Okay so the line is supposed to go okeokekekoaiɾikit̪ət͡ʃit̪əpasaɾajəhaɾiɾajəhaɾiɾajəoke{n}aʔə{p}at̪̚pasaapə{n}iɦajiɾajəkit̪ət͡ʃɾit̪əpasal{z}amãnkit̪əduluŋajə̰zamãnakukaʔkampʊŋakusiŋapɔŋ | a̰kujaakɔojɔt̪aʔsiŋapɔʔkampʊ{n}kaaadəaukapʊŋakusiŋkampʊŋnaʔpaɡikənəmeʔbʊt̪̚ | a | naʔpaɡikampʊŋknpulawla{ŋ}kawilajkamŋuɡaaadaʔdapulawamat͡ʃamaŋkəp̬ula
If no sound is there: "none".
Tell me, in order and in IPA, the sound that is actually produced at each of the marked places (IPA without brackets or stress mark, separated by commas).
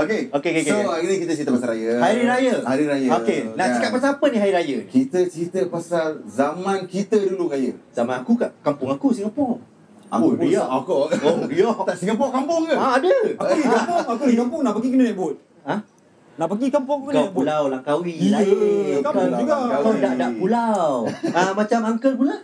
n, k, n, z, ŋ, ŋ